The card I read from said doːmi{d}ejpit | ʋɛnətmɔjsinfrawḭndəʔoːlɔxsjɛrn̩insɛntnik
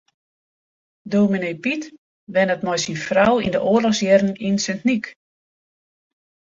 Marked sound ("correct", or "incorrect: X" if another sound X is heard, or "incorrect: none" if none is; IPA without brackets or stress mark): incorrect: n